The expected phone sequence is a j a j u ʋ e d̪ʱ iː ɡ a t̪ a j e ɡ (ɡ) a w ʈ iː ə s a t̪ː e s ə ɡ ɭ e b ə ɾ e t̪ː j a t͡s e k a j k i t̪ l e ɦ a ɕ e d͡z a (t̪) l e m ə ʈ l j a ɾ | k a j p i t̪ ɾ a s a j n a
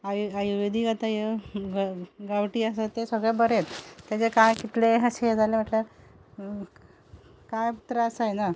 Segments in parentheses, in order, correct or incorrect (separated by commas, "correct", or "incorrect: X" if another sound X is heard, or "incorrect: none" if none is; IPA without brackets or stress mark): correct, incorrect: none